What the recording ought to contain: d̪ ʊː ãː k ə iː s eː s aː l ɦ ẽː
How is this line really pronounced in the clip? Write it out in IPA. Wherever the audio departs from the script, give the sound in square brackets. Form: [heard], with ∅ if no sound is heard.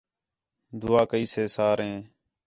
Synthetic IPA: d̪ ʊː [aː] k ə iː s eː s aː [ɾ] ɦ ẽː